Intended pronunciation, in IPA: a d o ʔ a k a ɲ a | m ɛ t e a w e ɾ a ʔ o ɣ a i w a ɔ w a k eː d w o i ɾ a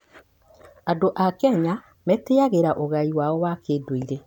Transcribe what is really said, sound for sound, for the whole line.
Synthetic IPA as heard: a d o ʔ a k ɛ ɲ a | m ɛ t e a ɣ e ɾ a ʔ o ɣ a i w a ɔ w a k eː d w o i ɾ e